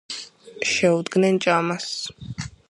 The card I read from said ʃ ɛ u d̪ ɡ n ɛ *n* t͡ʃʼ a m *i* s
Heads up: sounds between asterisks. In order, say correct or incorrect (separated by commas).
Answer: correct, incorrect